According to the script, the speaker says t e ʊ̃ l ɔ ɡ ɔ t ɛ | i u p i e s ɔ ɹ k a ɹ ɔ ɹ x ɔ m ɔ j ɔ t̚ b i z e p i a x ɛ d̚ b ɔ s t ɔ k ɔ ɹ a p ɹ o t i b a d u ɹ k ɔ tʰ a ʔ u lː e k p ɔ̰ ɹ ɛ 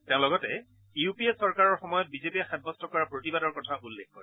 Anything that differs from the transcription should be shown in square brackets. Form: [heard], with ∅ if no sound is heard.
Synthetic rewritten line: t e ʊ̃ l ɔ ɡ ɔ t ɛ | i u p i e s ɔ ɹ k a ɹ ɔ ɹ x ɔ m ɔ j ɔ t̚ b i z e p i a x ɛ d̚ b ɔ s t ɔ k ɔ ɹ a p ɹ o t i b a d [ɔ] ɹ k ɔ tʰ a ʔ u lː e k [k] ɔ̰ ɹ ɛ